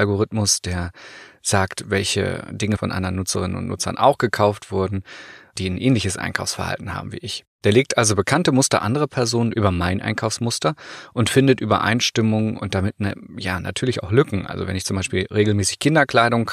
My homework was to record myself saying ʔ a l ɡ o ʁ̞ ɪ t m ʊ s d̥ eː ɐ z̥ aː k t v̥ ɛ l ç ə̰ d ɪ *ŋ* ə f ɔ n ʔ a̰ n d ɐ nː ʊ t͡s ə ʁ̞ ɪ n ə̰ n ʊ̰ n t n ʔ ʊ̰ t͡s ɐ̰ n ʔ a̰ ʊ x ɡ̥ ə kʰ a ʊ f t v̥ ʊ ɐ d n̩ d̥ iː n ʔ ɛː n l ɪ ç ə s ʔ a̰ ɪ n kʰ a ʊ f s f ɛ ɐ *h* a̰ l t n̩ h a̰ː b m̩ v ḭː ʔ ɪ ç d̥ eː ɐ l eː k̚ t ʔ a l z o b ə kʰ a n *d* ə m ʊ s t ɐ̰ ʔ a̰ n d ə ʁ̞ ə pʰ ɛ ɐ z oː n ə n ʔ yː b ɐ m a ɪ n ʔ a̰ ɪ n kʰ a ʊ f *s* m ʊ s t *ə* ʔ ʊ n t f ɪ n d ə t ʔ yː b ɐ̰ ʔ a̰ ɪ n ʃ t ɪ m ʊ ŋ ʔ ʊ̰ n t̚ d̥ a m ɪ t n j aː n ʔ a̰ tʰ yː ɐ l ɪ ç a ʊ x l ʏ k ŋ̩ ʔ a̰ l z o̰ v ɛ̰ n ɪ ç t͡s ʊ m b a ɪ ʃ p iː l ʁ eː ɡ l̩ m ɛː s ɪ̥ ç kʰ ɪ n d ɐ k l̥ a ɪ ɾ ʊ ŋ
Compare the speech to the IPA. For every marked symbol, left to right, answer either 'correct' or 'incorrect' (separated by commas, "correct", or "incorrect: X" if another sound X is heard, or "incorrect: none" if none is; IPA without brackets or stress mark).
correct, correct, incorrect: t, correct, incorrect: ɐ